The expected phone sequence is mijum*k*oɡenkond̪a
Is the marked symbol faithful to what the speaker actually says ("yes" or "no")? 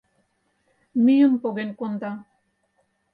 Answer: no